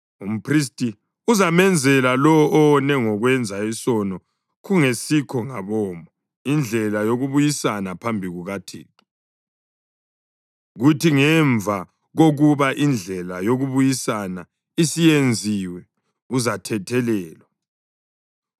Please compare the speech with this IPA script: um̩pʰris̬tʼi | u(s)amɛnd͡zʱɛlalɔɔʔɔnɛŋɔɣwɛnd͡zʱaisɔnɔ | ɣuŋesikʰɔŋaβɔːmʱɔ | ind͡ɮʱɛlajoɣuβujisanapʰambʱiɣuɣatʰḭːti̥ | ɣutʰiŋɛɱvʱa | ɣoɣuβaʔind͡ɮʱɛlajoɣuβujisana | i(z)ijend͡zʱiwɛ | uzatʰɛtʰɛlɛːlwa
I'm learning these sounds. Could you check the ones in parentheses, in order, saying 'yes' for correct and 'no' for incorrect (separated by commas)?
no, no